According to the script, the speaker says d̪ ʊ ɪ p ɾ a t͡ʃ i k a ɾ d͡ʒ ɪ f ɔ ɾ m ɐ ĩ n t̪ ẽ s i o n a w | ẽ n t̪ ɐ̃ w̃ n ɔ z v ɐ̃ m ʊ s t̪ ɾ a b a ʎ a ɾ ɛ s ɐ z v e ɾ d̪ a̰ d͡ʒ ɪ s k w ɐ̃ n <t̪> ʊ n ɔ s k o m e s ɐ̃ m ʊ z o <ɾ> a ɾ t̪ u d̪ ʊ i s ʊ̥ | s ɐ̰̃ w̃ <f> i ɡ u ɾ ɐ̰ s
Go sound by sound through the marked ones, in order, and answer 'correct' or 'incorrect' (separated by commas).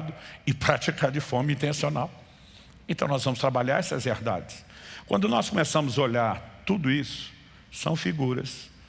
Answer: incorrect, incorrect, correct